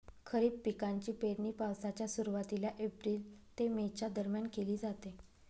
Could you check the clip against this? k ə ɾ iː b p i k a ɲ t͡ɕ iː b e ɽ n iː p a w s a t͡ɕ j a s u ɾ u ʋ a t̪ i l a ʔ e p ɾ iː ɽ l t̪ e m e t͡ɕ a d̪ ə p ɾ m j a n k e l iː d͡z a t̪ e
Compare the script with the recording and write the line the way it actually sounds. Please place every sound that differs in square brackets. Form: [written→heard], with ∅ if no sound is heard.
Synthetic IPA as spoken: [k→kʰ] ə ɾ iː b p i k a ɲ t͡ɕ iː [b→p] e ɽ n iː p a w s a t͡ɕ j a s u ɾ u ʋ a t̪ i l a ʔ e p ɾ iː [ɽ→∅] l t̪ e m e t͡ɕ a d̪ ə [p→∅] ɾ m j a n k e l iː d͡z a t̪ e